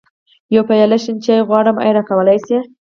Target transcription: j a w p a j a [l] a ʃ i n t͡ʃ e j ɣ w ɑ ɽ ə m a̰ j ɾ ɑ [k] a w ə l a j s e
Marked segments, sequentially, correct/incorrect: correct, correct

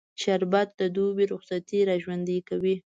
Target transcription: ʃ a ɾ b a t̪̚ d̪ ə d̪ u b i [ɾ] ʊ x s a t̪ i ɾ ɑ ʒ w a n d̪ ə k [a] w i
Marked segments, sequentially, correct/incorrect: correct, correct

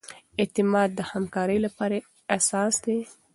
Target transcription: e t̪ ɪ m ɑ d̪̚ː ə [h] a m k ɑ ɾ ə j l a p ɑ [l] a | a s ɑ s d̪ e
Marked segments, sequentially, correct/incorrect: correct, incorrect: ɾ

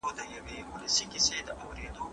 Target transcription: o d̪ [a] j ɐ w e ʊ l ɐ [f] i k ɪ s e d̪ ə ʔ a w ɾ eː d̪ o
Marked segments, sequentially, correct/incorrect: incorrect: ə, incorrect: s

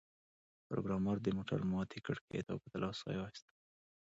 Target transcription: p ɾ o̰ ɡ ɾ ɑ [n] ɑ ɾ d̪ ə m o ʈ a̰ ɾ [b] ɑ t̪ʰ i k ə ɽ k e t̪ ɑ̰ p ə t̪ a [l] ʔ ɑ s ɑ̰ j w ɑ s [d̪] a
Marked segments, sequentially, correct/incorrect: incorrect: m, incorrect: m, correct, incorrect: t̪

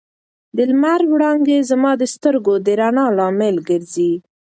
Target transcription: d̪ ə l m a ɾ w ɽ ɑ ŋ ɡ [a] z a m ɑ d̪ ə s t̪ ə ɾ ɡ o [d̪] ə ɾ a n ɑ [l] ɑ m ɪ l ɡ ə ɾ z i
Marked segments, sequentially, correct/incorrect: incorrect: e, correct, correct

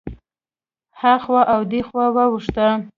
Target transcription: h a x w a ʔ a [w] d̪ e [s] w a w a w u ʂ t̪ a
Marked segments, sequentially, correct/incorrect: correct, incorrect: x

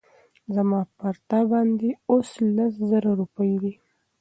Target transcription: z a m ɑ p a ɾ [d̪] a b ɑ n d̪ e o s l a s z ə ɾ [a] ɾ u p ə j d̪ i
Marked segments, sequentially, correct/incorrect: incorrect: t̪, correct

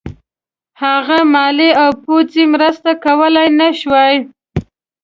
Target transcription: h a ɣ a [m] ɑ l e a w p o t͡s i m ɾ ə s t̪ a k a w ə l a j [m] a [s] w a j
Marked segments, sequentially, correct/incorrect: correct, incorrect: n, incorrect: ʃ

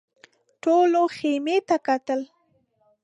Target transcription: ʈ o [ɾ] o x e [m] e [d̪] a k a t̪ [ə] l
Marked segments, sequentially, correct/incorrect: incorrect: l, correct, incorrect: t̪, correct

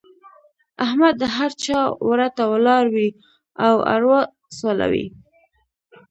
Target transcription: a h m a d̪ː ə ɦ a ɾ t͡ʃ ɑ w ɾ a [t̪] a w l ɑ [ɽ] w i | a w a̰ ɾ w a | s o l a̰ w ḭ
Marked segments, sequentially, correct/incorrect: correct, incorrect: ɾ

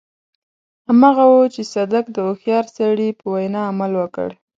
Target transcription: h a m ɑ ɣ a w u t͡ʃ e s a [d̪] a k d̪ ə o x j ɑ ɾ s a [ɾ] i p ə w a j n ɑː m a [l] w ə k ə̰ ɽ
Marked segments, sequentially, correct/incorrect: correct, incorrect: ɽ, correct

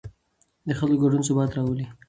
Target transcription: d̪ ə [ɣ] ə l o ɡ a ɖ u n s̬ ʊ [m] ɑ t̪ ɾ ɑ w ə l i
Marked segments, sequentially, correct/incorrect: incorrect: x, incorrect: b

